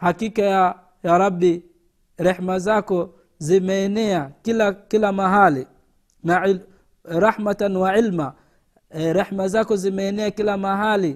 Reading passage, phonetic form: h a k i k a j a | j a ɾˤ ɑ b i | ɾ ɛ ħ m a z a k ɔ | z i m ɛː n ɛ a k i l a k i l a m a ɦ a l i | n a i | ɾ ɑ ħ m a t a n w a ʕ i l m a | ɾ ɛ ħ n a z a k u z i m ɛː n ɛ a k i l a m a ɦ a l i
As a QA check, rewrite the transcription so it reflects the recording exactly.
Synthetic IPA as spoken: h a k i k a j a | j a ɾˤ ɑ b i | ɾ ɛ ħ m a z a k ɔ | z i m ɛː n ɛ a k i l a k i l a m a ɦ a l i | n a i | ɾ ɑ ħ m a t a n w a ʕ i l m a | ɾ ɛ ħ m a z a k ɔ z i m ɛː n ɛ a k i l a m a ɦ a l i